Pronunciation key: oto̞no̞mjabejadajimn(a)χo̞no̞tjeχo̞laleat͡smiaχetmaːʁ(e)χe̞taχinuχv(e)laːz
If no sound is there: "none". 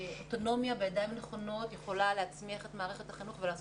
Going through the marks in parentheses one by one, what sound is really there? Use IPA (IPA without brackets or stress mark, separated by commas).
e, e, e